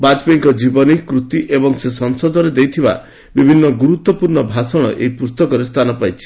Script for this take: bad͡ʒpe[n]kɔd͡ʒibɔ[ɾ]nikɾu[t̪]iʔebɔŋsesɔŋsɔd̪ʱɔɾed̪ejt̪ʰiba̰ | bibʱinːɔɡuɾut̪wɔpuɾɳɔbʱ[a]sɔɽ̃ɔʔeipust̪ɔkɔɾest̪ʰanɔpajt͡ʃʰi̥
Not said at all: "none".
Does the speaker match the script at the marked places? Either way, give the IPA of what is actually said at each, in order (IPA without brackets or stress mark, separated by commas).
ŋ, none, t̪, a